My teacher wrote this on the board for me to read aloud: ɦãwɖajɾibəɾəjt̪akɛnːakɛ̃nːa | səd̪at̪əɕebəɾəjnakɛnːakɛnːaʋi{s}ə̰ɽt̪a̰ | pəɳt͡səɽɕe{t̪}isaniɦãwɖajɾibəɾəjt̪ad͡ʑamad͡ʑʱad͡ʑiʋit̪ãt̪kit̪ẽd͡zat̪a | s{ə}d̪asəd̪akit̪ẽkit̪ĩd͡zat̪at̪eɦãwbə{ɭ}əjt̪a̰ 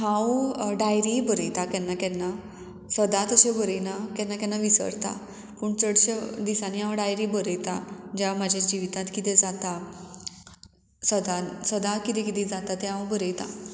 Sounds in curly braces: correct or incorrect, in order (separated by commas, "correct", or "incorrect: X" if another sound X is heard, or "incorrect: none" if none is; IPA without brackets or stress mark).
correct, incorrect: d̪, correct, incorrect: ɾ